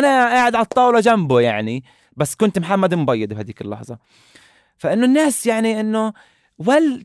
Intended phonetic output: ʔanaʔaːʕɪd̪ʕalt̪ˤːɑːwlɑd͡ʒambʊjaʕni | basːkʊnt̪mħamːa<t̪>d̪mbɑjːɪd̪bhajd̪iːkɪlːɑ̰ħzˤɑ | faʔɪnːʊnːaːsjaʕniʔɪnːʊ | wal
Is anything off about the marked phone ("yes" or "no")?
yes